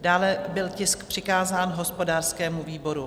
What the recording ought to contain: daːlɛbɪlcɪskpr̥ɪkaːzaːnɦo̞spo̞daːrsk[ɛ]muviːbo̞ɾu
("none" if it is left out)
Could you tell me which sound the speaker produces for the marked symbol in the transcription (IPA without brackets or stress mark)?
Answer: ɛː